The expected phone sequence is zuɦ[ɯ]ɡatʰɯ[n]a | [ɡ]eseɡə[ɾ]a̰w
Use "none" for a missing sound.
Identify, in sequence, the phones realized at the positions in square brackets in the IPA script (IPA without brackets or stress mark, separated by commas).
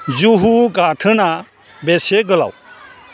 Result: u, n, b, l